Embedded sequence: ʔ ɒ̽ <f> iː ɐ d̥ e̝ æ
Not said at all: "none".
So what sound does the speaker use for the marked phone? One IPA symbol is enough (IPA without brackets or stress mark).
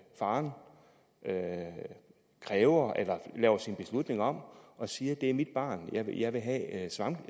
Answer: s